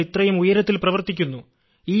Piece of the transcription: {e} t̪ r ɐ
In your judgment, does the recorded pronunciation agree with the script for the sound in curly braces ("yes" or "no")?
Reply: no